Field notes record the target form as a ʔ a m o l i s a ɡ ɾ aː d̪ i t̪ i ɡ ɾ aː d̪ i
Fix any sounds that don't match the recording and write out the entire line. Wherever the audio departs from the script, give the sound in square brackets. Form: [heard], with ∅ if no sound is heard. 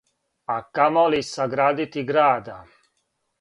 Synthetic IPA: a [k] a m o l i s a ɡ ɾ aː d̪ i t̪ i ɡ ɾ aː d̪ [a]